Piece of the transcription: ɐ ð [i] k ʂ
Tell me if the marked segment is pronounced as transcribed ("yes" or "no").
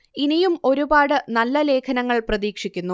no